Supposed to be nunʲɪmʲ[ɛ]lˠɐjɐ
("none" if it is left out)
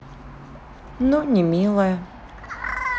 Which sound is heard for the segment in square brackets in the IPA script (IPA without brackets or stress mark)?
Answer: i